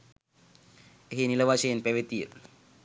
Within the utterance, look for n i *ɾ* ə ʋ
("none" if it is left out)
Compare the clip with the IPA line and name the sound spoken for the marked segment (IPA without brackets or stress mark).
l